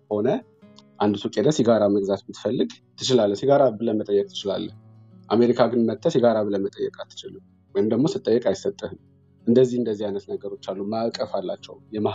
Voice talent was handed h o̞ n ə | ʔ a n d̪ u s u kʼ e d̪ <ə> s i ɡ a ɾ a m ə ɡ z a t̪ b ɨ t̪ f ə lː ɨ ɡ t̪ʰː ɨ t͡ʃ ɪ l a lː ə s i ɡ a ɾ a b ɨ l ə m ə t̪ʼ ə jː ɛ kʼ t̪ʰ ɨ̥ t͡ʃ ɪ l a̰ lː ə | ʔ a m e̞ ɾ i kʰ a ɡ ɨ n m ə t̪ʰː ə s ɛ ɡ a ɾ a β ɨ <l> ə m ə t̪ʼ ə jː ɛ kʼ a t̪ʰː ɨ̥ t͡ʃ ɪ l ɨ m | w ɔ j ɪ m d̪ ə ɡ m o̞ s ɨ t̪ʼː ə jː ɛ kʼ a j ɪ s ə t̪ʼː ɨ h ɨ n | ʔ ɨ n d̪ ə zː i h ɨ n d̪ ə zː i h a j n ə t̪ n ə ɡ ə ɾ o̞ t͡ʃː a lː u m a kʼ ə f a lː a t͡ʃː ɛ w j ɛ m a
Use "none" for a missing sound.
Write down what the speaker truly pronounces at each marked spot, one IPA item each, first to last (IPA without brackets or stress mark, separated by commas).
ə, l